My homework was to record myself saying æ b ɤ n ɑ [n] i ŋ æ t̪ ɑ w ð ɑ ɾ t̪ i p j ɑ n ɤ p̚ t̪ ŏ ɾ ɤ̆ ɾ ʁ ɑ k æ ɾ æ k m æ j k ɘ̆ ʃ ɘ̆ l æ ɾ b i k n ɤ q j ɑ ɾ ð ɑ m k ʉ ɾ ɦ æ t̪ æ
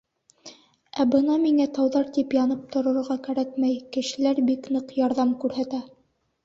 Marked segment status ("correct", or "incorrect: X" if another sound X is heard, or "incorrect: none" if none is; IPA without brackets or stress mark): incorrect: m